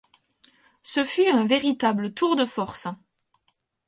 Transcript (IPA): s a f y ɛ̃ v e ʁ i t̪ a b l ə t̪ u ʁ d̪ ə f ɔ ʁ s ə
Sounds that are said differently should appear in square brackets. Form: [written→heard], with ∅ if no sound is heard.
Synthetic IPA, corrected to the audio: s [a→ə] f y ɛ̃ v e ʁ i t̪ a b l ə t̪ u ʁ d̪ ə f ɔ ʁ s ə